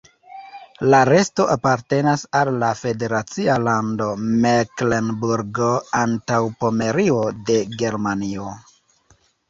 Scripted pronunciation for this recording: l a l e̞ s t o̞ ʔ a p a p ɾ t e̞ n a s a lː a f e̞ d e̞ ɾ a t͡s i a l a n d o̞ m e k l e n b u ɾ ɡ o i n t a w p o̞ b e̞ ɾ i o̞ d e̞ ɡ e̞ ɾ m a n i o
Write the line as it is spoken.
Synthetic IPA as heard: l a ɾ e̞ s t o̞ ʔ a p a ɾ t e̞ n a s a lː a f e̞ d e̞ ɾ a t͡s i a l a n d o̞ m e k l e n b u ɾ ɡ o a n t a w p o̞ m e̞ ɾ i o̞ d e̞ ɡ e̞ ɾ m a n i o